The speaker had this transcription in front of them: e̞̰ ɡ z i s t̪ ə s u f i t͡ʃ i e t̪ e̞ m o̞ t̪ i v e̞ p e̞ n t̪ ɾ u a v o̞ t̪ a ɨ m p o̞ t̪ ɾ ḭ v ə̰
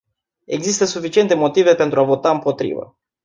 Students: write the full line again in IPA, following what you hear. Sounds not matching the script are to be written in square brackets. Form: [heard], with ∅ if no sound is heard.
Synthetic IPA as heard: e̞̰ ɡ z i s t̪ ə s u f i t͡ʃ i e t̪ e̞ m o̞ t̪ i v e̞ p e̞ n t̪ ɾ u a v o̞ t̪ a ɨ m p o̞ t̪ ɾ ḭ v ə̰